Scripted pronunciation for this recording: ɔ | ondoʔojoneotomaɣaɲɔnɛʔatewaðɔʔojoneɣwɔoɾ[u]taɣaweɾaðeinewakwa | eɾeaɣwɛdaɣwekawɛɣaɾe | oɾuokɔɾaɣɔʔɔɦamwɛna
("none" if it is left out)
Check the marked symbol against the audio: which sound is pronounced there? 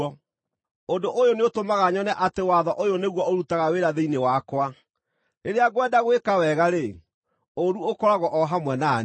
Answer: u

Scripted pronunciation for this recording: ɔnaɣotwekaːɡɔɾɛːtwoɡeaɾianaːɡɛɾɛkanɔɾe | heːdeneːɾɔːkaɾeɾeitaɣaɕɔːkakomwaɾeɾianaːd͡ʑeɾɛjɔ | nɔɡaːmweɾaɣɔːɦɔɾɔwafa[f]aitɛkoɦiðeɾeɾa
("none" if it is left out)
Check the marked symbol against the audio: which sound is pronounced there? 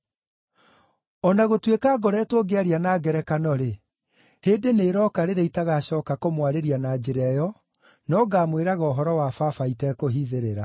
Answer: f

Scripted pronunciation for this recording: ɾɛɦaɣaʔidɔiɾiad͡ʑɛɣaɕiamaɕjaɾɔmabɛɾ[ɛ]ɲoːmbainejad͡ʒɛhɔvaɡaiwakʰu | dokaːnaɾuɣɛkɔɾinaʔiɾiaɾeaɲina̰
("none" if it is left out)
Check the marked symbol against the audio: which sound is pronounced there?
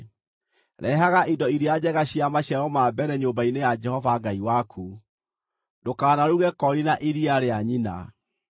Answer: ɛ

